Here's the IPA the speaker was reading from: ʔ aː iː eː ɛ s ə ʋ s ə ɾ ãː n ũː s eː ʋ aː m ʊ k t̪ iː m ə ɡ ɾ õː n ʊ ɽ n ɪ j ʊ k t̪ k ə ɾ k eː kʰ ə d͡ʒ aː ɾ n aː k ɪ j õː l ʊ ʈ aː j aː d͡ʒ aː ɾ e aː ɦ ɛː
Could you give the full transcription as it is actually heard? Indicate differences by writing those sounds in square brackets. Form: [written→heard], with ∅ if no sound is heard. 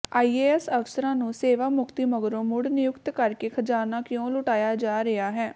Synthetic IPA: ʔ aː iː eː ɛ s ə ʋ s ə ɾ ãː n ũː s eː ʋ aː m ʊ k t̪ iː m ə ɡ ɾ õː [n→m] ʊ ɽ n ɪ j ʊ k t̪ k ə ɾ k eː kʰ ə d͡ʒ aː ɾ n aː k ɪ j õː l ʊ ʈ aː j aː d͡ʒ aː ɾ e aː ɦ ɛː